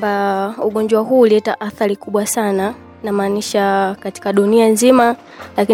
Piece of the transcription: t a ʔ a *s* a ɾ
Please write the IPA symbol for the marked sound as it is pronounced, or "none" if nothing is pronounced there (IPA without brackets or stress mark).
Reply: θ